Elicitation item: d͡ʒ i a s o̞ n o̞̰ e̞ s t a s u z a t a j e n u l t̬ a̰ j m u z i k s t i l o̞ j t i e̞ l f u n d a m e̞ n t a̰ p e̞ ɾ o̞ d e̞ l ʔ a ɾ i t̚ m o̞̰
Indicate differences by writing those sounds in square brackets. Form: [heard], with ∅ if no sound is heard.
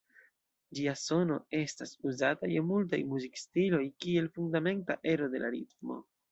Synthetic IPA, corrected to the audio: d͡ʒ i a s o̞ n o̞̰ e̞ s t a s u z a t a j e [m] u l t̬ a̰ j m u z i k s t i l o̞ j [k] i e̞ l f u n d a m e̞ n t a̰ [ʔ] e̞ ɾ o̞ d e̞ l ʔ a ɾ i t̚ m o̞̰